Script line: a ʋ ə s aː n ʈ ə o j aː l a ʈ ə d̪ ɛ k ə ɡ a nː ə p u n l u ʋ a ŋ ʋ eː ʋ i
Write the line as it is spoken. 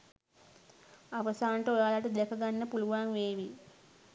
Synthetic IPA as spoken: a ʋ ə s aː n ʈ ə o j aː l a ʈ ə d̪ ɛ k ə ɡ a nː ə p u l u ʋ a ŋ ʋ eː ʋ i